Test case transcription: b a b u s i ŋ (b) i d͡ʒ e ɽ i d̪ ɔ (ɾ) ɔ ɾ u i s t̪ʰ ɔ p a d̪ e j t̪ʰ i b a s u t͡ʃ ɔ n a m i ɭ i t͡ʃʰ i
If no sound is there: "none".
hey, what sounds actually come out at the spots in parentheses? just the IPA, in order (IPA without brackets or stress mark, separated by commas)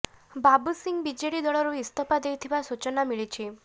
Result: b, ɭ